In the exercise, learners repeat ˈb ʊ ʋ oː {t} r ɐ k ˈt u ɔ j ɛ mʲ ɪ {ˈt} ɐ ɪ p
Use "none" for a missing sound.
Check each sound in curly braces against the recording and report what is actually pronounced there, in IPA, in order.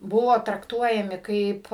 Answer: t, k

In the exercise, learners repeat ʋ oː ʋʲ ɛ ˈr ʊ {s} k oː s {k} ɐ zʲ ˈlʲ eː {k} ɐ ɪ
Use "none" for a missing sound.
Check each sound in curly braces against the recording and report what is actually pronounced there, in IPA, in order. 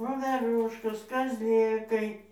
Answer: ʃ, k, k

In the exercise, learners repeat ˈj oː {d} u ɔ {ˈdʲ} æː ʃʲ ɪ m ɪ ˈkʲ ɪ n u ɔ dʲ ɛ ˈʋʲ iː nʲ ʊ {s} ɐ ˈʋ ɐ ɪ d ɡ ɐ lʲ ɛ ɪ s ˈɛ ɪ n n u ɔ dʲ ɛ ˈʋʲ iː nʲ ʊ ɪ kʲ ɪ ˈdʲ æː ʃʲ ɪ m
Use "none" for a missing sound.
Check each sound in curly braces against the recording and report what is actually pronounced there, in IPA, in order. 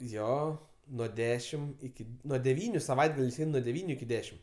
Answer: n, dʲ, s

